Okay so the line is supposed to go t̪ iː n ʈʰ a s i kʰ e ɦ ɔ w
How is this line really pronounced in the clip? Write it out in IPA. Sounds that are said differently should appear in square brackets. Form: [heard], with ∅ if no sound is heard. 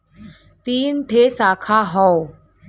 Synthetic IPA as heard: t̪ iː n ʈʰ [e] s [a] kʰ [a] ɦ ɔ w